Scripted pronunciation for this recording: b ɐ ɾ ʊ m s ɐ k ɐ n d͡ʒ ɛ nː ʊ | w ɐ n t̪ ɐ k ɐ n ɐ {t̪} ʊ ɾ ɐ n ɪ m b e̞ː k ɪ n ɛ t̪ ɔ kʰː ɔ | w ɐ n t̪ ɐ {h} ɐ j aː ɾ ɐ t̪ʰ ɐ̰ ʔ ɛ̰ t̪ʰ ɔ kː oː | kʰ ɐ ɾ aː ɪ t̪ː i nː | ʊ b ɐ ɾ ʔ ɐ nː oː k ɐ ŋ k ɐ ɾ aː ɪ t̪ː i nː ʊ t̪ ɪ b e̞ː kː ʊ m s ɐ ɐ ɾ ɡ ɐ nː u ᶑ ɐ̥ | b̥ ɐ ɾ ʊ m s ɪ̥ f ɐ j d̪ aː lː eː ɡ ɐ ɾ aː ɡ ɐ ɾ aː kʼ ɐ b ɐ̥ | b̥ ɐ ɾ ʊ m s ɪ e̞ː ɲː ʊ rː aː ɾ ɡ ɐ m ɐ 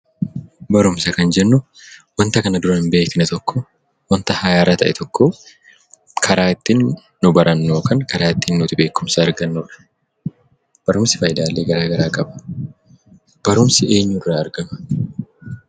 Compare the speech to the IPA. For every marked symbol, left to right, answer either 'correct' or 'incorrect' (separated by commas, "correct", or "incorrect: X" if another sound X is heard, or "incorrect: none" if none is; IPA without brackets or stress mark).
incorrect: d̪, correct